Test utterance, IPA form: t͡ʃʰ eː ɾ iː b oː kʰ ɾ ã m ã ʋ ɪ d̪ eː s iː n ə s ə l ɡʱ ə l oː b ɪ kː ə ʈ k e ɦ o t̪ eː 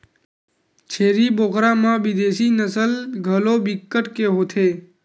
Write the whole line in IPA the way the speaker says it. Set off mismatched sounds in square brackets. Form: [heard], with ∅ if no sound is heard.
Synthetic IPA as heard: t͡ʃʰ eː ɾ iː b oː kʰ ɾ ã m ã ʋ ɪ d̪ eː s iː n ə s ə l ɡʱ ə l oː b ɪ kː ə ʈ k e ɦ o [t̪ʰ] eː

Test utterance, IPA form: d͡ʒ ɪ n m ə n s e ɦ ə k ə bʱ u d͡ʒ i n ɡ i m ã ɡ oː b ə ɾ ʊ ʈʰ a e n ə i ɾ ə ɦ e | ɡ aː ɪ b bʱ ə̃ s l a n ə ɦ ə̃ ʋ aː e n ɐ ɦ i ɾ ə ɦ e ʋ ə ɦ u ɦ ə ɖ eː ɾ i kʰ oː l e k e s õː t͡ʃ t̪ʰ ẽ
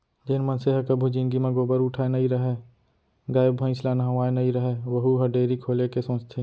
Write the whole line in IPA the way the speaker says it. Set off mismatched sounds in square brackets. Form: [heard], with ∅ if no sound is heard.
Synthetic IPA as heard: d͡ʒ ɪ n m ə n s e ɦ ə k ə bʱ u d͡ʒ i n ɡ i m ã ɡ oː b ə ɾ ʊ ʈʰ a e n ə i ɾ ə ɦ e | ɡ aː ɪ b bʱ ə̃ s l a n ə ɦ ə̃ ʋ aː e n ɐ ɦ i ɾ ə ɦ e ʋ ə ɦ u ɦ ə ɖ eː ɾ i kʰ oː l e k e s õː t͡ʃ t̪ʰ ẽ

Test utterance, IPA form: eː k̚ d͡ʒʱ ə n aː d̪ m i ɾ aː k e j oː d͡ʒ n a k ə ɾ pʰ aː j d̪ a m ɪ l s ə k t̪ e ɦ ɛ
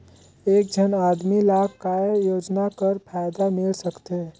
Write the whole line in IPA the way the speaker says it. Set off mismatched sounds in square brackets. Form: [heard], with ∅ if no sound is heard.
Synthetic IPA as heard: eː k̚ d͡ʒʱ ə n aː d̪ m i [l] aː k [a] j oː d͡ʒ n a k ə ɾ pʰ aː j d̪ a m ɪ l s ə k t̪ e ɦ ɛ

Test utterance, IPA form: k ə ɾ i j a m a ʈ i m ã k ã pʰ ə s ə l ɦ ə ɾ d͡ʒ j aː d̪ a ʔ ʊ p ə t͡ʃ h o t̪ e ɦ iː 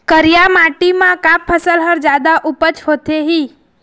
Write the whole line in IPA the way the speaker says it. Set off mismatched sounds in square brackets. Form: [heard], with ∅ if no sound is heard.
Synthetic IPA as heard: k ə ɾ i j a m a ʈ i m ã k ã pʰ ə s ə l ɦ ə ɾ d͡ʒ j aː d̪ a ʔ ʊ p ə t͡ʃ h o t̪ e ɦ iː

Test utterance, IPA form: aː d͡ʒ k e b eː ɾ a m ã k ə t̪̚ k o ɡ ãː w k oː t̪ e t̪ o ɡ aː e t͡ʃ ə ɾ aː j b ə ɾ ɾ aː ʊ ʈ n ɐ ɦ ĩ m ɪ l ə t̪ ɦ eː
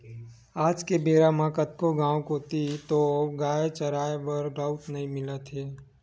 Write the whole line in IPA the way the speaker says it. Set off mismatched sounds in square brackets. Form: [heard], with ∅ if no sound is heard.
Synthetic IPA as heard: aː d͡ʒ k e b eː ɾ a m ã k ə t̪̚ k o ɡ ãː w k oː t̪ [i] t̪ o ɡ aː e t͡ʃ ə ɾ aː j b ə ɾ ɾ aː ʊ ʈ n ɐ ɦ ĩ m ɪ l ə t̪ ɦ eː

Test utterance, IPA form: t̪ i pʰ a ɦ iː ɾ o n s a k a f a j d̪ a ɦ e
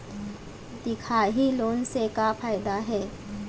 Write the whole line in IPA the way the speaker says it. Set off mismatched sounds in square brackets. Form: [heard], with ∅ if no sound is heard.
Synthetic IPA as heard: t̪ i [kʰ] a ɦ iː [l] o n s [e] k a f a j d̪ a ɦ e

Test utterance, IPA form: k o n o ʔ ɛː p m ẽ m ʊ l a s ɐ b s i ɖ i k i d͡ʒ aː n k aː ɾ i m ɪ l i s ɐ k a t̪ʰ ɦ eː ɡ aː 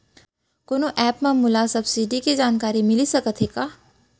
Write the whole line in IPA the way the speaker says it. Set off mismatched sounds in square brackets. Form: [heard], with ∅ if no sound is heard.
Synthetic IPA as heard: k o n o ʔ ɛː p m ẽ m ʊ l a s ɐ b s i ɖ i k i d͡ʒ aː n k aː ɾ i m ɪ l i s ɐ k [ə] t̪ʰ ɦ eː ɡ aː

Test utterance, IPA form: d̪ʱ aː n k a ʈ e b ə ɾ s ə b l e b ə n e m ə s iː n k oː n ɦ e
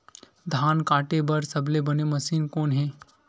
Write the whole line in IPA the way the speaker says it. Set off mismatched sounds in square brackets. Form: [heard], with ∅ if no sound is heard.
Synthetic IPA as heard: d̪ʱ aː n k a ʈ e b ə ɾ s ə b l e b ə n e m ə s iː n k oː n ɦ e

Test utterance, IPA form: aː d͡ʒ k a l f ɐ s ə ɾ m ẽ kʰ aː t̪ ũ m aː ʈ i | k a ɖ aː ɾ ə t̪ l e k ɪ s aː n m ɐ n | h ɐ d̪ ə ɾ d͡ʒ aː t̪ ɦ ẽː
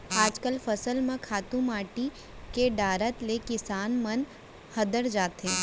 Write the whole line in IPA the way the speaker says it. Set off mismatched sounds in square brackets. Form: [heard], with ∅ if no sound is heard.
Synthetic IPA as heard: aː d͡ʒ k [ə] l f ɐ s ə [l] m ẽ kʰ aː t̪ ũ m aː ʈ i | k [e] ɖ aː ɾ ə t̪ l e k ɪ s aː n m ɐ n | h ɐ d̪ ə ɾ d͡ʒ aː t̪ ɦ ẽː

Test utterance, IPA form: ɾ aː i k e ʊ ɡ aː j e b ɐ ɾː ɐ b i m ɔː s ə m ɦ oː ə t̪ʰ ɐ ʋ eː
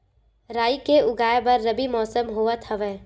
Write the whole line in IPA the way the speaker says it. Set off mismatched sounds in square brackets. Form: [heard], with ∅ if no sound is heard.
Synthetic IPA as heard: ɾ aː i k e ʊ ɡ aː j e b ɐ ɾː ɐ b i m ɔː s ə m ɦ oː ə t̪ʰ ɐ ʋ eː

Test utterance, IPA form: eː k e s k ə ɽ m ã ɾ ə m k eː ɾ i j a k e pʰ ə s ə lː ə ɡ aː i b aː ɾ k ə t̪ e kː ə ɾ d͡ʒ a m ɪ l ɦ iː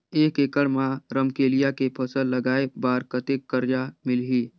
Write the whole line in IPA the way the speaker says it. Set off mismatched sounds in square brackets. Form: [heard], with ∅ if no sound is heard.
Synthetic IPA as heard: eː k e [∅] k ə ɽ m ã ɾ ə m k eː [l] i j a k e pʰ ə s ə lː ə ɡ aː [e] b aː ɾ k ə t̪ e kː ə ɾ d͡ʒ a m ɪ l ɦ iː

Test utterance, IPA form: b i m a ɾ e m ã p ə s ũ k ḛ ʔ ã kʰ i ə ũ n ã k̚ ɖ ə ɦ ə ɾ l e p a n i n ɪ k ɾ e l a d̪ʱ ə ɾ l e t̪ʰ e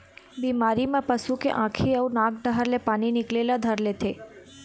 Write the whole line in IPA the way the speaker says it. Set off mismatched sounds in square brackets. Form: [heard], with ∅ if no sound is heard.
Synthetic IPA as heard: b i m a ɾ [i] m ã p ə s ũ k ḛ ʔ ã kʰ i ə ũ n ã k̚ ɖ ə ɦ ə ɾ l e p a n i n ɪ k [l] e l a d̪ʱ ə ɾ l e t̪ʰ e

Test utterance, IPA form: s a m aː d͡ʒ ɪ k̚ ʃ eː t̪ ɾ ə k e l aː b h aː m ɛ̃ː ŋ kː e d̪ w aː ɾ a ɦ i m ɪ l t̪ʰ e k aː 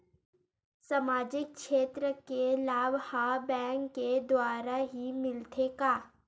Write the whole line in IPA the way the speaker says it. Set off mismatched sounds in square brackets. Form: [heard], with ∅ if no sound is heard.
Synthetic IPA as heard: s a m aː d͡ʒ ɪ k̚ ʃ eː t̪ ɾ ə k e l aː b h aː [b] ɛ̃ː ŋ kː e d̪ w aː ɾ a ɦ i m ɪ l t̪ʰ e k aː

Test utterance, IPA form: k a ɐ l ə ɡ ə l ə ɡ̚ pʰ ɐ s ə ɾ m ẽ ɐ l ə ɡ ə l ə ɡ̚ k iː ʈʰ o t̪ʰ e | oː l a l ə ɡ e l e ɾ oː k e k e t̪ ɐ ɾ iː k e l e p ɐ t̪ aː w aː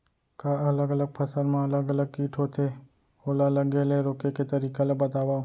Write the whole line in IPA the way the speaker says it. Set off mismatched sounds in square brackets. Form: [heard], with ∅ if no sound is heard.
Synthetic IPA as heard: k a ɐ l ə ɡ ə l ə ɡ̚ pʰ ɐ s ə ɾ m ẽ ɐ l ə ɡ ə l ə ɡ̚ k iː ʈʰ o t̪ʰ e | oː l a l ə ɡ e l e ɾ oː k e k e t̪ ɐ ɾ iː k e l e [b] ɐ t̪ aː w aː

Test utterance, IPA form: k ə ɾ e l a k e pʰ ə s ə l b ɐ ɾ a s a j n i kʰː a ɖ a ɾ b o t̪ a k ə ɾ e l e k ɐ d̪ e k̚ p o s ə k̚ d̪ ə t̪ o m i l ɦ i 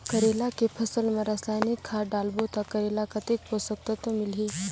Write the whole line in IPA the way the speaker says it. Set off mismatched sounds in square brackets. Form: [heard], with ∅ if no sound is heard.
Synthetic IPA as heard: k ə ɾ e l a k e pʰ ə s ə l [m] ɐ ɾ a s a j n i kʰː a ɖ a [l] b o t̪ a k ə ɾ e l [a] k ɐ [t̪] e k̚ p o s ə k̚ [t̪] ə t̪ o m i l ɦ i

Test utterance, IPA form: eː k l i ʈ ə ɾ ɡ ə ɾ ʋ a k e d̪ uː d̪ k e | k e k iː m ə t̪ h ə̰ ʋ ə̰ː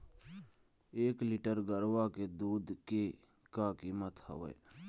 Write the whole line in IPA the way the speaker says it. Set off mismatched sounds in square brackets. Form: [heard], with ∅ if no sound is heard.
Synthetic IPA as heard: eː k l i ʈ ə ɾ ɡ ə ɾ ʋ a k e d̪ uː d̪ k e | k [a] k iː m ə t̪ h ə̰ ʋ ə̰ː

